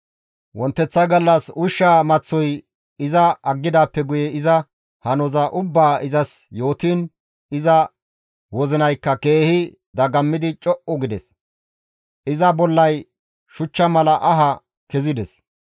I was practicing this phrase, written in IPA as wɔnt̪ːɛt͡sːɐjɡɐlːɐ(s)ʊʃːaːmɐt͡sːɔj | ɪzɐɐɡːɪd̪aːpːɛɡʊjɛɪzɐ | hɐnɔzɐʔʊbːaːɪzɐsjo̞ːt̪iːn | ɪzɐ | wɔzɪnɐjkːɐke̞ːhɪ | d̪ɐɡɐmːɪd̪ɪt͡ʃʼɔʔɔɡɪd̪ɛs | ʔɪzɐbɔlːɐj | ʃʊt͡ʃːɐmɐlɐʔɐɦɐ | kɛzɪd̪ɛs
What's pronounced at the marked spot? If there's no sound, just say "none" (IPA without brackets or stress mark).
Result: s